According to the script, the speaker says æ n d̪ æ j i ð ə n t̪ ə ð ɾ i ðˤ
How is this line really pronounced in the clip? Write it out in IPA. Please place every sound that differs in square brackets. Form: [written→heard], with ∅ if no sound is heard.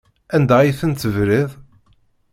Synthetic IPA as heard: æ n d̪ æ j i [ð→θ] ə n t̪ ə [ð→v] ɾ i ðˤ